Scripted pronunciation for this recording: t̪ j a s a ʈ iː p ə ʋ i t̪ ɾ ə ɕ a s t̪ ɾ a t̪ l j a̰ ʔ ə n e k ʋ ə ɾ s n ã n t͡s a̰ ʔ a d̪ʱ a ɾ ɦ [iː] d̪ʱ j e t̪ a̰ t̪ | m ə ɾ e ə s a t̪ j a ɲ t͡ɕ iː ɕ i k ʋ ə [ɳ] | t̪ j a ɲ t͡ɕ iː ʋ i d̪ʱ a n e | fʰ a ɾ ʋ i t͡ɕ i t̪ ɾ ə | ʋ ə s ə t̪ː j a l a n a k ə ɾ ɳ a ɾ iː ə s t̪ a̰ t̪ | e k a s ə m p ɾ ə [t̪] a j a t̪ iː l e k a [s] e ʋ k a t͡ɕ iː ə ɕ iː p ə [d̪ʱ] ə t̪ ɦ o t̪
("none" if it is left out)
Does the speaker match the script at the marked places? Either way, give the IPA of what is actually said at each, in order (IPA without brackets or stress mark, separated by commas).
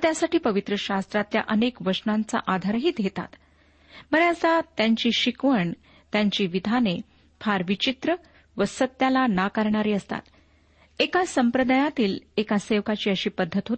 iː, ɳ, d̪, s, d̪ʱː